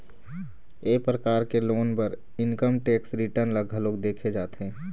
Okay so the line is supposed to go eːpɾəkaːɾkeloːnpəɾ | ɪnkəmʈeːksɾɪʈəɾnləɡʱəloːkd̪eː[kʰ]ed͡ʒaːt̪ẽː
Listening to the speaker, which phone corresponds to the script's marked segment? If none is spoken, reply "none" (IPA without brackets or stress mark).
kʰ